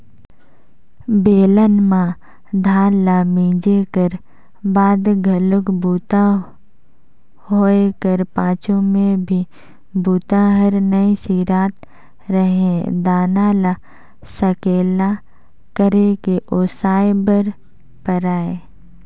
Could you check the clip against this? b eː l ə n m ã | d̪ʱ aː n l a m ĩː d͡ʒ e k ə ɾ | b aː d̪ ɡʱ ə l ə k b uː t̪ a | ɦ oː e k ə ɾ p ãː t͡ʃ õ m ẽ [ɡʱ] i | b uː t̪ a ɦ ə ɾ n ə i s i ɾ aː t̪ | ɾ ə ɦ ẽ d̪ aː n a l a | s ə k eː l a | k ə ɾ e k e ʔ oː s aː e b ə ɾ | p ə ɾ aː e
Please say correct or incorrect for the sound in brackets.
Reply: incorrect